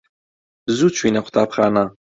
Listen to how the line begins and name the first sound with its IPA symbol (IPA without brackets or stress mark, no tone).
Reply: z